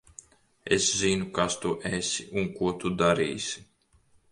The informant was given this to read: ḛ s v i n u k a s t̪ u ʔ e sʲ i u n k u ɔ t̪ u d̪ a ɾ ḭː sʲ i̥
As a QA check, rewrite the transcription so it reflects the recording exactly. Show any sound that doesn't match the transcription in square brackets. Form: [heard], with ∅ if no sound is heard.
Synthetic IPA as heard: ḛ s [z] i n u k a s t̪ u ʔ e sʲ i u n k u ɔ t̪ u d̪ a ɾ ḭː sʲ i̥